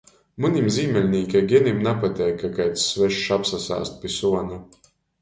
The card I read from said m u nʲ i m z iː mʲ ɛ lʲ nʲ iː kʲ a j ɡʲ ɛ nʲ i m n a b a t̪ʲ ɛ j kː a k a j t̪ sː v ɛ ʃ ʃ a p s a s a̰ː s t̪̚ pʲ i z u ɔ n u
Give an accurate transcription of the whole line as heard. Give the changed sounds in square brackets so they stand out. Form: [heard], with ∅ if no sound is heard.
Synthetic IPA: m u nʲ i m z iː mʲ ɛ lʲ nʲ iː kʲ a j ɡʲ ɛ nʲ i m n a [p] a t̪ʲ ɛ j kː a k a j t̪ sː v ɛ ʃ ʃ a p s a s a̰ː s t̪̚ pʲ i [s] u ɔ n u